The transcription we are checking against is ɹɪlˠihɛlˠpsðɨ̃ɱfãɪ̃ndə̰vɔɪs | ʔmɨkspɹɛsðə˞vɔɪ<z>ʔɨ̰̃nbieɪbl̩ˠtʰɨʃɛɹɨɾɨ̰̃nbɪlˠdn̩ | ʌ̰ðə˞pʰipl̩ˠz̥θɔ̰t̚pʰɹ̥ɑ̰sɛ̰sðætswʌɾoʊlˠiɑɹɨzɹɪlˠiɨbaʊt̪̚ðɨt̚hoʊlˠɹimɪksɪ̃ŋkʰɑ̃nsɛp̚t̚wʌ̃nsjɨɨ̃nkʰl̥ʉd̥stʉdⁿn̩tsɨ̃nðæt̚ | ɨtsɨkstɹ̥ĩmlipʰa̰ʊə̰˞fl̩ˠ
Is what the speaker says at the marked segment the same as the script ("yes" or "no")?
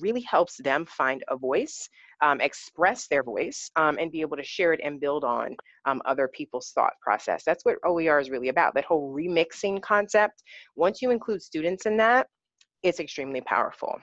no